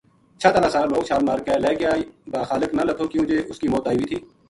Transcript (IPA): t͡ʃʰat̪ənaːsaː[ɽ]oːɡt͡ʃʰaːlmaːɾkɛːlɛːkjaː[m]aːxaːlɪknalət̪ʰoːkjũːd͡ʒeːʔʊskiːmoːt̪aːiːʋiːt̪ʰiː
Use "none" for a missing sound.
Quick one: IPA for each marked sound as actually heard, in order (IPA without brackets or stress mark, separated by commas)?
l, b